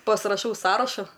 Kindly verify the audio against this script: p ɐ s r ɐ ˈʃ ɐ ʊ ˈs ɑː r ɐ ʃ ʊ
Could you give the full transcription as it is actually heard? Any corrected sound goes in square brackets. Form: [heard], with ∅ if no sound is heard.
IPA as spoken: p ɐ s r ɐ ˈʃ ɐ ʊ ˈs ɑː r ɐ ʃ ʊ